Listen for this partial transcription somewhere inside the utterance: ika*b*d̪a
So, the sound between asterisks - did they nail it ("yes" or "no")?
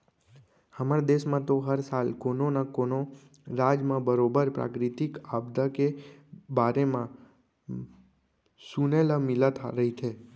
yes